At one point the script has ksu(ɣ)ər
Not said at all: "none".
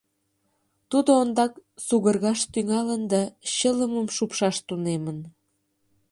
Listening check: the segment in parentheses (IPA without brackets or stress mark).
ɣ